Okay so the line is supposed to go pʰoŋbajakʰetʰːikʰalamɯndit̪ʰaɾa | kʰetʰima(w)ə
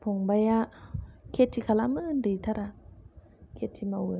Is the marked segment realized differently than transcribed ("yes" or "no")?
no